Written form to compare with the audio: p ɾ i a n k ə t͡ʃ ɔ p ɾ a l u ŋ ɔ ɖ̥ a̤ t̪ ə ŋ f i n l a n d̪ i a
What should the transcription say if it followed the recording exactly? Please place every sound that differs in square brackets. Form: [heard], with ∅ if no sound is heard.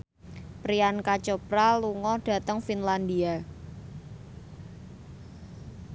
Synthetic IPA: p ɾ i a n k [a] t͡ʃ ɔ p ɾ a l u ŋ ɔ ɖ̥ a̤ t̪ ə ŋ f i n l a n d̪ i a